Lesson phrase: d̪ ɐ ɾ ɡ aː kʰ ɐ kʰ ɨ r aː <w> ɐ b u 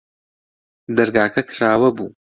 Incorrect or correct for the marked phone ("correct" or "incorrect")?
correct